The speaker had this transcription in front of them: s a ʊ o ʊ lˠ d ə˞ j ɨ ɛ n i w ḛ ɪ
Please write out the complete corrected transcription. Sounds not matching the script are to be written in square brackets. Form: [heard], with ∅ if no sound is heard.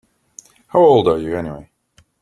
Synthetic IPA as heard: [h] a ʊ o ʊ lˠ d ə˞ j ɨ ɛ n i w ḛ ɪ